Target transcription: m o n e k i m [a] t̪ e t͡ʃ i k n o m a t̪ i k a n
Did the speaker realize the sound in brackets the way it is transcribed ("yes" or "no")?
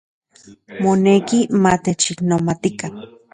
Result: yes